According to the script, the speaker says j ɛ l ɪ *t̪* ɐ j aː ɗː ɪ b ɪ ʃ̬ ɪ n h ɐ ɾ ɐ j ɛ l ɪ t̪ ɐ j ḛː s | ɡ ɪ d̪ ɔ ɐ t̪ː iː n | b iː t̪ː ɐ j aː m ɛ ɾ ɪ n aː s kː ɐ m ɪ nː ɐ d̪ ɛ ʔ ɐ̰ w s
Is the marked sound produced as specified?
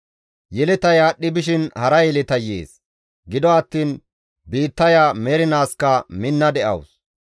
yes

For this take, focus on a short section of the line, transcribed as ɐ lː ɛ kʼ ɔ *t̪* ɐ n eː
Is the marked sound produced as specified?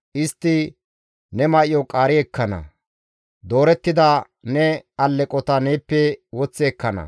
yes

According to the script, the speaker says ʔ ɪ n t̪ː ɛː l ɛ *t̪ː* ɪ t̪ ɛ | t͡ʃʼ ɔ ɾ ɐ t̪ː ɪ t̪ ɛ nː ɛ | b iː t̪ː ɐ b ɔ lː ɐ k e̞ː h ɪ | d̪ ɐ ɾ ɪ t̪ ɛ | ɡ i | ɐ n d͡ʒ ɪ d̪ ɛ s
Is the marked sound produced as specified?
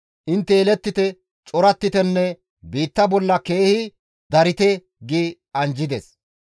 yes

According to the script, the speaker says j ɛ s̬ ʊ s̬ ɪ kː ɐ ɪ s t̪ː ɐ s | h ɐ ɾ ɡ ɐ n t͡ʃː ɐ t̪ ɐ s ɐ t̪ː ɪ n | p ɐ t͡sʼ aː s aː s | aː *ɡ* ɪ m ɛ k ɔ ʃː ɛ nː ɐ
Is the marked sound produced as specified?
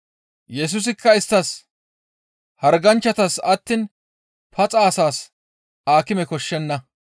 no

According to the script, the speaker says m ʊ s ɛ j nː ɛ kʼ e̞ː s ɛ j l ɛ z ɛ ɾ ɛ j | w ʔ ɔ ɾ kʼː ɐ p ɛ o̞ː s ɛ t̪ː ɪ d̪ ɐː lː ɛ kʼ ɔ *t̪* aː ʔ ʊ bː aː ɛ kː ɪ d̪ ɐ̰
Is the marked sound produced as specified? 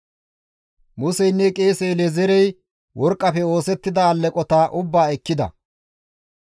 yes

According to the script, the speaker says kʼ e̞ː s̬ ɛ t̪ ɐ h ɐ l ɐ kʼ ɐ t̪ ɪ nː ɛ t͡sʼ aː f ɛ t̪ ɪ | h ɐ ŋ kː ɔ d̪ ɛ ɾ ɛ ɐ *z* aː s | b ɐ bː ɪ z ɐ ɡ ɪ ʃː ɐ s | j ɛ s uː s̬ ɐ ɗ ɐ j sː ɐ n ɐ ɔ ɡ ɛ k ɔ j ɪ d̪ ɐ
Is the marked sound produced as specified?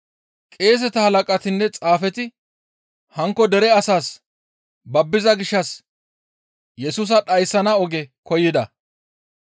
no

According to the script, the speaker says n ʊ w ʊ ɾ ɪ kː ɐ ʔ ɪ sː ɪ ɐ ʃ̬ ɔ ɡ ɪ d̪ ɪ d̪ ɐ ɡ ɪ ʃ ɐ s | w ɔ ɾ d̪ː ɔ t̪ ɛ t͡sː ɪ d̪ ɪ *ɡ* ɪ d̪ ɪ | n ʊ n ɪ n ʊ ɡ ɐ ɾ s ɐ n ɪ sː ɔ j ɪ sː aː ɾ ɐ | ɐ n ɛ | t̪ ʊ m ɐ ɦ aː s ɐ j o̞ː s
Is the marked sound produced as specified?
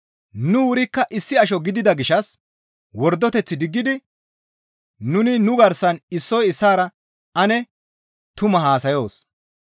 no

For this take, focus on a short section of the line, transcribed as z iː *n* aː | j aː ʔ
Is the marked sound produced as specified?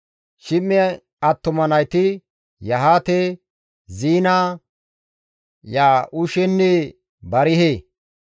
yes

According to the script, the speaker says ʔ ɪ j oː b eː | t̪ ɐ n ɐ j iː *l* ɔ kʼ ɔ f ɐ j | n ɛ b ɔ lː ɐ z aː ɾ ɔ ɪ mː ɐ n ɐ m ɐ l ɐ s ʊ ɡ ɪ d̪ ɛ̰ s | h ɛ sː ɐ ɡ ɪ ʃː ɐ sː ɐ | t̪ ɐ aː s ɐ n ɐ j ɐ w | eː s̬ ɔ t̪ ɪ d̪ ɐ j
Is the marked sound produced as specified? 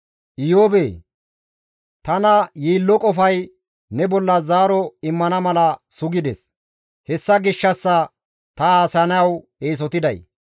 no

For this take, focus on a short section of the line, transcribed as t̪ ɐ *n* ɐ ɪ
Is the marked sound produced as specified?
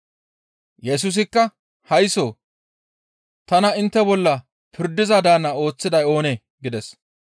yes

